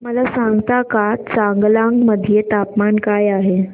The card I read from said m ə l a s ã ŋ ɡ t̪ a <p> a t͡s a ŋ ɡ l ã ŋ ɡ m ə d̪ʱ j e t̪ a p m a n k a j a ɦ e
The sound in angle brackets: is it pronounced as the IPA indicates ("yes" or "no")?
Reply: no